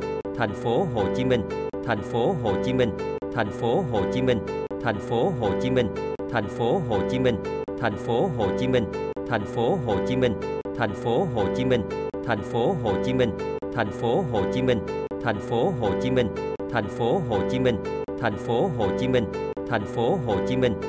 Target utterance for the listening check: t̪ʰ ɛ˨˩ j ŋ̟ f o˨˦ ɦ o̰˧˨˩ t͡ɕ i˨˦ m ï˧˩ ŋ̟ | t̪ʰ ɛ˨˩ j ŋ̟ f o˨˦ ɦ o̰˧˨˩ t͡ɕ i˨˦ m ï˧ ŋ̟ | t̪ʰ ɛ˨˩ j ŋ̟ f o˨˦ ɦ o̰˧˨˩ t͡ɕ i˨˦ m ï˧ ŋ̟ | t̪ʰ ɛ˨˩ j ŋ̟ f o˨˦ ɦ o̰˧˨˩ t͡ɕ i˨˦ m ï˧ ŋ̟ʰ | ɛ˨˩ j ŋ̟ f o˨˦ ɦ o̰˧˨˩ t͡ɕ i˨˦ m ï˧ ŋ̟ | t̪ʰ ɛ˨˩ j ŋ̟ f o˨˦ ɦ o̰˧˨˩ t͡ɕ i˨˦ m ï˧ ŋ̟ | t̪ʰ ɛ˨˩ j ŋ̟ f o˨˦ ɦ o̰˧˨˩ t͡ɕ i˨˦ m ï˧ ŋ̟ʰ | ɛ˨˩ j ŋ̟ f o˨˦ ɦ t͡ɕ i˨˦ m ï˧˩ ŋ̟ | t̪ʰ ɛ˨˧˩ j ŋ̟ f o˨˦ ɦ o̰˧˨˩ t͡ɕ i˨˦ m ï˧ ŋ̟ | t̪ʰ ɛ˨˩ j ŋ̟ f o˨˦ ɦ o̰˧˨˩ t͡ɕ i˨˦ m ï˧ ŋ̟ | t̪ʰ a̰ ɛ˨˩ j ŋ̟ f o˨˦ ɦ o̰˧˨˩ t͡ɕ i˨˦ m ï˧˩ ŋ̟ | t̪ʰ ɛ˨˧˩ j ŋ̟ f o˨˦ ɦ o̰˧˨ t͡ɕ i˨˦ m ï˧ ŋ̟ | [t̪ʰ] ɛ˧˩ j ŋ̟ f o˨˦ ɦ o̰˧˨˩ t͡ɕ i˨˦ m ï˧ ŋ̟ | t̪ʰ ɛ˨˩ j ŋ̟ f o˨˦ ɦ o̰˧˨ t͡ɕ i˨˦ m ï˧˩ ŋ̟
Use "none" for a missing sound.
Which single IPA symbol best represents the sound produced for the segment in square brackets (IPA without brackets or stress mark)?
t̪ʰ